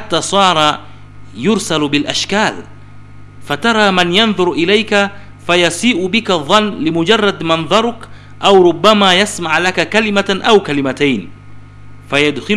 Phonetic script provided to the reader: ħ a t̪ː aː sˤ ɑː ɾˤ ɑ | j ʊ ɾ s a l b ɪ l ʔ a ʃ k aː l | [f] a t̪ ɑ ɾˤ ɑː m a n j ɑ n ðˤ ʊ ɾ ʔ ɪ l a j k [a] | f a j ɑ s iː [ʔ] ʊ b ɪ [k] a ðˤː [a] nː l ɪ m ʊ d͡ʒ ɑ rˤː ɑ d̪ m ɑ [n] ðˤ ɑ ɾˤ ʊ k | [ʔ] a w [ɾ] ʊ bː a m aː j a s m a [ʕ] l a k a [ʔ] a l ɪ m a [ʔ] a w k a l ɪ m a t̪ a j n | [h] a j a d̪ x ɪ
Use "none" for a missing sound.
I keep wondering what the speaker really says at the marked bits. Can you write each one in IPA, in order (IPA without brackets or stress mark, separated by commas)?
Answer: f, a, ʔ, k, ɑ, n, ʔ, ɾ, ʕ, k, ʔ, f